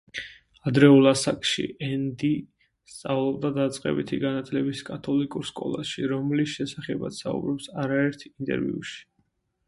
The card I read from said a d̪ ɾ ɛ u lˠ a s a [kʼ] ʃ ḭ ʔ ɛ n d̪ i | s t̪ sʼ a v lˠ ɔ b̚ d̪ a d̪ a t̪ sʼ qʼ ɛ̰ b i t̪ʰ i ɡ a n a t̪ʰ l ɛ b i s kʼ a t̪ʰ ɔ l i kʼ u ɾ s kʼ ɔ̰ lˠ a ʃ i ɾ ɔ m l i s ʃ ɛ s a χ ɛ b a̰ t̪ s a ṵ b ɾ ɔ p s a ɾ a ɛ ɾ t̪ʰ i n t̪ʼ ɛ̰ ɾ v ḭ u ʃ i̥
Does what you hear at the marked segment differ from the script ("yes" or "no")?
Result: no